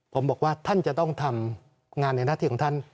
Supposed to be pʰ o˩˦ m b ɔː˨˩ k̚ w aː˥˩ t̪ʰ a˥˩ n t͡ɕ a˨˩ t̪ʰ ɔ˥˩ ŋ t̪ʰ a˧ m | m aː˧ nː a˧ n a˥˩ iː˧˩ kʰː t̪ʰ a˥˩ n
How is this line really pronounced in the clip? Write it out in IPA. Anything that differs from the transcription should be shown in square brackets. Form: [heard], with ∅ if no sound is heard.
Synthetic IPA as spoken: pʰ o˩˦ m b ɔː˨˩ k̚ w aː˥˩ t̪ʰ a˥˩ n t͡ɕ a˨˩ [t̪] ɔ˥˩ ŋ t̪ʰ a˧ m | [ŋ] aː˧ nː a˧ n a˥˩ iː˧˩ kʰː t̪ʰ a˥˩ n